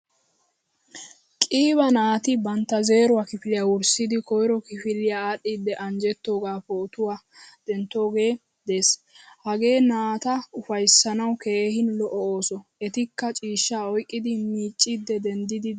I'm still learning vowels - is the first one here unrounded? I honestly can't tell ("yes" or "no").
yes